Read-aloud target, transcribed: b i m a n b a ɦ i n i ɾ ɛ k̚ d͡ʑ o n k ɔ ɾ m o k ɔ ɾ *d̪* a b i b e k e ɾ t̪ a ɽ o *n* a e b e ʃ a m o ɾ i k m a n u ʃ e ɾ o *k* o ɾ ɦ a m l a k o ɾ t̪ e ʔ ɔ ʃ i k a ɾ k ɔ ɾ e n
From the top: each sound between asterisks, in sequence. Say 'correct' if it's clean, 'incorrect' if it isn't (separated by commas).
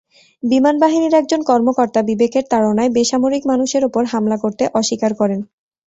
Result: incorrect, correct, incorrect